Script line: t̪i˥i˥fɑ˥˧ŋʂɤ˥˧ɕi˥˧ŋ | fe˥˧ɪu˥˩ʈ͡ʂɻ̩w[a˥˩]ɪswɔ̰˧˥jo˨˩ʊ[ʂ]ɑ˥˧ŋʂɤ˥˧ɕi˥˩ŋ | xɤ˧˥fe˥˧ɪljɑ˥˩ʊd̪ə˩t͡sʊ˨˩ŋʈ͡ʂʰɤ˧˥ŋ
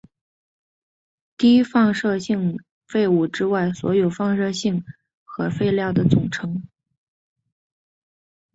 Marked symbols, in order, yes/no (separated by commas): yes, no